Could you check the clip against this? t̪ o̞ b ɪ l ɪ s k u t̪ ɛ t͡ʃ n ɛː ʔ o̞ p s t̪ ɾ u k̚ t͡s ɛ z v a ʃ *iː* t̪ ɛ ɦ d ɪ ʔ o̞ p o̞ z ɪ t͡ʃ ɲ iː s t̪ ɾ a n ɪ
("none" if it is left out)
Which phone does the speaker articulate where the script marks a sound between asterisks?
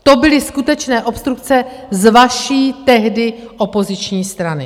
iː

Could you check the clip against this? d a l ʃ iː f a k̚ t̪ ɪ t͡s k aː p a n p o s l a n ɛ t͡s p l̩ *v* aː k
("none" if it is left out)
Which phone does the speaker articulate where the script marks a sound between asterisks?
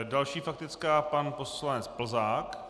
z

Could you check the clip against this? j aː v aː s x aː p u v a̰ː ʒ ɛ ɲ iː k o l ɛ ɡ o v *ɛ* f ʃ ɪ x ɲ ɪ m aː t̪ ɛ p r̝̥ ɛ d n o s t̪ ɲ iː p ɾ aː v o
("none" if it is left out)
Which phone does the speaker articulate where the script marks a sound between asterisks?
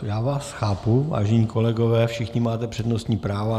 ɛː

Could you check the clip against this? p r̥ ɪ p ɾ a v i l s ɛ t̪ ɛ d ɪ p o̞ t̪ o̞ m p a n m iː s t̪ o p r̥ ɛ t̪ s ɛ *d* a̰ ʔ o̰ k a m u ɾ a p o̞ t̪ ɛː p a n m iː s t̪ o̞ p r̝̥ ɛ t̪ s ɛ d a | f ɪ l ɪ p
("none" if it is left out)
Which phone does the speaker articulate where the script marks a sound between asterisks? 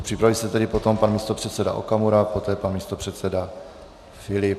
d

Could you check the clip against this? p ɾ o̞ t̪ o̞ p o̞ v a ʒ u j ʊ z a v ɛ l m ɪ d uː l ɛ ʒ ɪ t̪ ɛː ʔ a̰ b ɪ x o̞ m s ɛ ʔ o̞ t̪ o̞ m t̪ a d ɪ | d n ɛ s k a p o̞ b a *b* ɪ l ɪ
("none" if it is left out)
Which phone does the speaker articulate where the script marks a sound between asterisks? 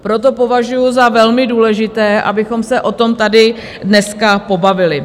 v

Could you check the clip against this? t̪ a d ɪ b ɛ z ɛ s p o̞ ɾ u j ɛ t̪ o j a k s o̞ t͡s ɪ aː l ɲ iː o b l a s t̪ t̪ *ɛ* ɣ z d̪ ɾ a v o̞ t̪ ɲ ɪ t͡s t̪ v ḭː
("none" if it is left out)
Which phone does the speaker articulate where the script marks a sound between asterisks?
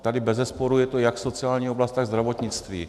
a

